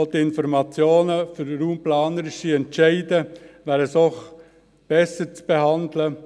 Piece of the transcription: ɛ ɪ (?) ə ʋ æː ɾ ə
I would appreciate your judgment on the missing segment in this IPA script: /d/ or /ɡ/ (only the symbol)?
d